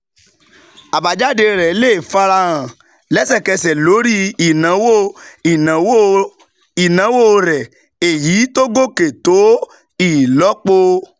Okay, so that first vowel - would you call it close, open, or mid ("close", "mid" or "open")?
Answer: open